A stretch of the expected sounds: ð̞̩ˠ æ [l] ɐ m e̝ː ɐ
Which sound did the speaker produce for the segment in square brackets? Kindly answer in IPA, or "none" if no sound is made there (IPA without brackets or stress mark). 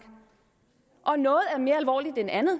none